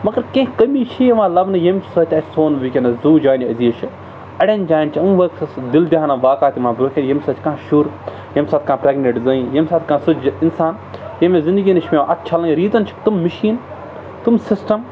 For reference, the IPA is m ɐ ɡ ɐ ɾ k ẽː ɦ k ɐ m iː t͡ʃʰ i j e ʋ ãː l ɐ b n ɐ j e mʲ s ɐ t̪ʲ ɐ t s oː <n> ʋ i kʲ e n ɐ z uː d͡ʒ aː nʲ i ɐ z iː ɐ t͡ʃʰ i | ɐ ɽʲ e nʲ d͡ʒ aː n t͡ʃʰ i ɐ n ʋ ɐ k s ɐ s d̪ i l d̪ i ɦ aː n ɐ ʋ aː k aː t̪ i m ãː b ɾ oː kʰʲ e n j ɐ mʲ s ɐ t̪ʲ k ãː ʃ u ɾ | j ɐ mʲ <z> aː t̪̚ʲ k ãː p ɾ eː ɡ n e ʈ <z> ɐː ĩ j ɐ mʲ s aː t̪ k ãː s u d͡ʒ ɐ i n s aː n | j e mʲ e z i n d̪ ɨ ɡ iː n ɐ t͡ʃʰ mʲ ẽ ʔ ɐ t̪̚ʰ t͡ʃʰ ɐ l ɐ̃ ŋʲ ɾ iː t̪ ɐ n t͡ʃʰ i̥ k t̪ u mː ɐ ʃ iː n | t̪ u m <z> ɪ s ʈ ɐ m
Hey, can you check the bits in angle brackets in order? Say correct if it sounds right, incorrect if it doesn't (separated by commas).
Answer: correct, incorrect, correct, incorrect